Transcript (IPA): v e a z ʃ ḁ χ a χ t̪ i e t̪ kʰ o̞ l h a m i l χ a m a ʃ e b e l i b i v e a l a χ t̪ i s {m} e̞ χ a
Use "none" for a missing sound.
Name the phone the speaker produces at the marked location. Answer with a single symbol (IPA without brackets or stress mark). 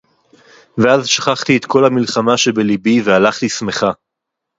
m